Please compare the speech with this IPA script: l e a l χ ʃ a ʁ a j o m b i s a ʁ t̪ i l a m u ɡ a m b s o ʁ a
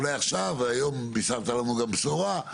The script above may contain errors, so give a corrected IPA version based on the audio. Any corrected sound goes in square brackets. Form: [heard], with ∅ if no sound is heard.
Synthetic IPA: l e a [∅] χ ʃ a [v] a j o m b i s a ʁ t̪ [a] l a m u ɡ a m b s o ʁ a